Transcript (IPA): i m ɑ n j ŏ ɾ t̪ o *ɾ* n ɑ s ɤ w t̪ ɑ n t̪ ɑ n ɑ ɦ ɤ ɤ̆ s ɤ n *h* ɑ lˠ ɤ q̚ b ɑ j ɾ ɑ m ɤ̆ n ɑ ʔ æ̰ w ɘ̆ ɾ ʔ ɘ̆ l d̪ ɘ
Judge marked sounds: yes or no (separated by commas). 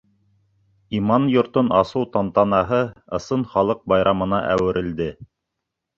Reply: no, no